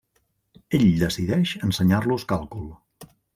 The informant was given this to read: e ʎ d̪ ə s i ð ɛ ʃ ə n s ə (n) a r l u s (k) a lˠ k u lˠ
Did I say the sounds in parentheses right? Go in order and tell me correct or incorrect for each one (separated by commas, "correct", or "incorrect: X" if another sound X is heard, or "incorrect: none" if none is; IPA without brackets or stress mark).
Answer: incorrect: ɲ, correct